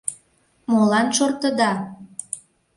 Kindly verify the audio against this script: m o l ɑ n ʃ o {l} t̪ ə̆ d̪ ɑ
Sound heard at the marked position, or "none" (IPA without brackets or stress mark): r